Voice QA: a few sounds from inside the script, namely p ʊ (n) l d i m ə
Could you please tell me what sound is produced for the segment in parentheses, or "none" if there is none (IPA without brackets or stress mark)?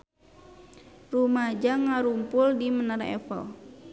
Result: none